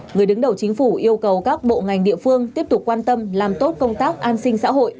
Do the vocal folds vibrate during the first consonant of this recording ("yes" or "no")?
yes